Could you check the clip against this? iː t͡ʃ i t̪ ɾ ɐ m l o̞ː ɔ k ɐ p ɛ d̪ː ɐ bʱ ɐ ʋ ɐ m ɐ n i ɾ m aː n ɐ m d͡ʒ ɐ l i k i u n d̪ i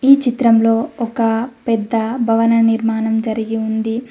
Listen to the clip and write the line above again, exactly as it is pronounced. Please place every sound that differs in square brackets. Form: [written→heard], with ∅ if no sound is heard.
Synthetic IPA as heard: iː t͡ʃ i t̪ ɾ ɐ m l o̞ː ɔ k ɐ p ɛ d̪ː ɐ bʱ ɐ ʋ ɐ [m→n] ɐ n i ɾ m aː n ɐ m d͡ʒ ɐ [l→ɾ] i [k→ɡ] i u n d̪ i